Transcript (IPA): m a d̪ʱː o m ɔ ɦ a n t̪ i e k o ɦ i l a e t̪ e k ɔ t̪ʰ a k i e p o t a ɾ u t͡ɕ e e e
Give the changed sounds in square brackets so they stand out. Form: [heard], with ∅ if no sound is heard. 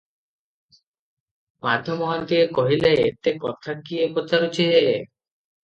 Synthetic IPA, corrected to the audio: m a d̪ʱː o m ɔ ɦ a n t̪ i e k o ɦ i l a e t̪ e k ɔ t̪ʰ a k i e p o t a ɾ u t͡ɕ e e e